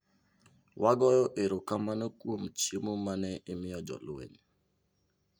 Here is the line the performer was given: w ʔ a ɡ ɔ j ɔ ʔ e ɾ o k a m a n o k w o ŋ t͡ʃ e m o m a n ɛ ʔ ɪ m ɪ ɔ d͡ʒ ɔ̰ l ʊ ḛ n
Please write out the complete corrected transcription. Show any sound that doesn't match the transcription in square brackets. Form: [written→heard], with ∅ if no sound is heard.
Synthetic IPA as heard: w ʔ a ɡ ɔ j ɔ ʔ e ɾ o k a m a n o k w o [ŋ→m] t͡ʃ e m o m a n ɛ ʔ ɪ m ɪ ɔ d͡ʒ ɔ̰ l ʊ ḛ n